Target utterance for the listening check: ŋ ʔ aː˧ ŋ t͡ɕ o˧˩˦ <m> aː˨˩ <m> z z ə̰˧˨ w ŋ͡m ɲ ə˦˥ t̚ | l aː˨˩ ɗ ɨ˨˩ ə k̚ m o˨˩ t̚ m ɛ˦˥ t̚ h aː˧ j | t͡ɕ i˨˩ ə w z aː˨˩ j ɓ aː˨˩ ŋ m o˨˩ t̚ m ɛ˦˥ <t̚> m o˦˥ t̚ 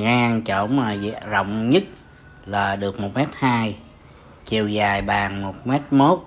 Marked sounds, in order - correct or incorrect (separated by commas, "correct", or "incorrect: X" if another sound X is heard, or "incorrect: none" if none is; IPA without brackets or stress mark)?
correct, incorrect: none, correct